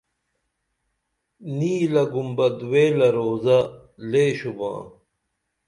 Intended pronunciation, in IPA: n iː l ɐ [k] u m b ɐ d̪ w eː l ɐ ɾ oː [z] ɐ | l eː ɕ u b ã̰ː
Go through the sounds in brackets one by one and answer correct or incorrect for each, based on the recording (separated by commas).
incorrect, correct